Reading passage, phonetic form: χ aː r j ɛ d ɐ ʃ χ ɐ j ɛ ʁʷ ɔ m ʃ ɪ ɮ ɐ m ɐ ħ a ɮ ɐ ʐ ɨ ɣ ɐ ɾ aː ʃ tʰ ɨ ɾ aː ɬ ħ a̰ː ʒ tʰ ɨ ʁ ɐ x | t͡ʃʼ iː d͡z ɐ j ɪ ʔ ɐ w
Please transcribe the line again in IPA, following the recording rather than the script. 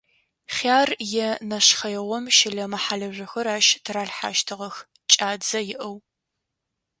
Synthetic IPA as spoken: χ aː r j ɛ n ɐ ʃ χ ɐ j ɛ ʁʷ ɔ m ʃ ɪ ɮ ɐ m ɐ ħ a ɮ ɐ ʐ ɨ x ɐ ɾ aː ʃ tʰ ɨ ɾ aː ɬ ħ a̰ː ʃ tʰ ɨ ʁ ɐ x | t͡ʃʼ aː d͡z ɐ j ɪ ʔ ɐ w

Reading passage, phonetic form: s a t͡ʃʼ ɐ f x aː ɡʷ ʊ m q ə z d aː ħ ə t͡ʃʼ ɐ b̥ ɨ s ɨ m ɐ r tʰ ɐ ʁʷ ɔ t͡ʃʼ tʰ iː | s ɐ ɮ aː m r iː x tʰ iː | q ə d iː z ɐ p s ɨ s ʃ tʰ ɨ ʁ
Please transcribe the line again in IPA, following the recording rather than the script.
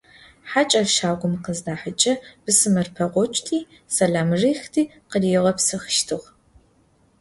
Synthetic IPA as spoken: ħ a t͡ʃʼ ɐ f ʃ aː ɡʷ ʊ m q ə z d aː ħ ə t͡ʃʼ ɐ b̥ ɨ s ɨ m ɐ r pʰ ɐ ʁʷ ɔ t͡ʃʼ tʰ iː | s ɐ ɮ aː m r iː x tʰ iː | q ə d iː ʁ ɐ p s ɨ x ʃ tʰ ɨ ʁ

